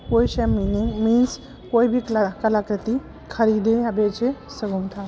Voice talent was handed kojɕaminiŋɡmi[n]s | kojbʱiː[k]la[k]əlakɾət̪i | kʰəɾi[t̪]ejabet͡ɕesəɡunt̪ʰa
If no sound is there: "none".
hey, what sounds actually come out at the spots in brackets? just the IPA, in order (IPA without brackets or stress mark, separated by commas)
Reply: n, k, k, d̪